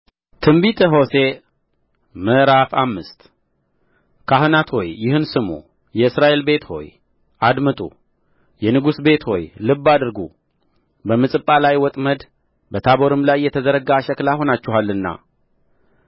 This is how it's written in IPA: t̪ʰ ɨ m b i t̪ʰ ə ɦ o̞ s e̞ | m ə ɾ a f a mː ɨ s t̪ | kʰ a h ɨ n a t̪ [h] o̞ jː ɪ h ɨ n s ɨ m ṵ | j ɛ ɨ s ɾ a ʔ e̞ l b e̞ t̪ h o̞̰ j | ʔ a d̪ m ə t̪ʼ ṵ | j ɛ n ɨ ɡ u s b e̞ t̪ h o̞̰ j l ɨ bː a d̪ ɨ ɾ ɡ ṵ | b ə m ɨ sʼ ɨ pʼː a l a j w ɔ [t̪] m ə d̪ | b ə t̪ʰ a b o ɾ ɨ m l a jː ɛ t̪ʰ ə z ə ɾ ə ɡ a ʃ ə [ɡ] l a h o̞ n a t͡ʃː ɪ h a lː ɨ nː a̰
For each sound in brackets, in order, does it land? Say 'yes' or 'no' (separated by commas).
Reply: yes, no, no